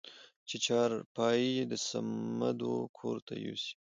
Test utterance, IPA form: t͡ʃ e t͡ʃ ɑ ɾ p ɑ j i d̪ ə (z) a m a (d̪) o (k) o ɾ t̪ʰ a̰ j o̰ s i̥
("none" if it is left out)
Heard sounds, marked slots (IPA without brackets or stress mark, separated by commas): s, d̪, kʰ